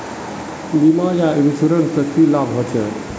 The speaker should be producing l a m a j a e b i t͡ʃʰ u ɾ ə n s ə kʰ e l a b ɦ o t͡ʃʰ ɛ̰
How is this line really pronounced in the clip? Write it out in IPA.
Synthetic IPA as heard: l i m a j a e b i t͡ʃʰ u ɾ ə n s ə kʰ i l a b ɦ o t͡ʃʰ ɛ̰